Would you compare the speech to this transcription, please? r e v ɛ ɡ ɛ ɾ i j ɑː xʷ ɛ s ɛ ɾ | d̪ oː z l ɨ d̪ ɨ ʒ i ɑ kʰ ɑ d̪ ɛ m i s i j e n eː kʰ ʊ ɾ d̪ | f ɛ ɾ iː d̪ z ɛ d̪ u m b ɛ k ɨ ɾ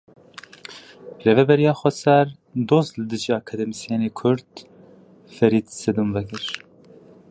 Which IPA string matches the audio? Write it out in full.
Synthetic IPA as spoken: r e v ɛ b ɛ ɾ i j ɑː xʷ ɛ s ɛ ɾ | d̪ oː z l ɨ d̪ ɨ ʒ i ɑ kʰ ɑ d̪ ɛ m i s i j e n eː kʰ ʊ ɾ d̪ | f ɛ ɾ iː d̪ s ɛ d̪ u m v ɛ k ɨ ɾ